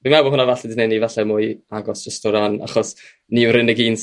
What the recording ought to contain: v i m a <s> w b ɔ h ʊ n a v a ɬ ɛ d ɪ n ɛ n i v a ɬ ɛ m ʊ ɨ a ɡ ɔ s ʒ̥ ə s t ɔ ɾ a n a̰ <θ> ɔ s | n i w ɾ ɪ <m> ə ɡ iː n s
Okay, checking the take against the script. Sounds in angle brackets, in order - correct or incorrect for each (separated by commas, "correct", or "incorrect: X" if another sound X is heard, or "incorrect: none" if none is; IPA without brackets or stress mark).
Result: incorrect: none, incorrect: χ, incorrect: n